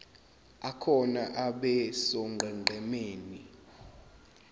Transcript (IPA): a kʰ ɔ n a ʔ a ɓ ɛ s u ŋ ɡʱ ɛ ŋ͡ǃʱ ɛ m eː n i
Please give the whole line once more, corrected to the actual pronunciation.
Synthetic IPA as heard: a kʰ ɔ n a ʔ a ɓ ɛ s ɔ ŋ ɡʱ ɛ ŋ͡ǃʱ ɛ m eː n i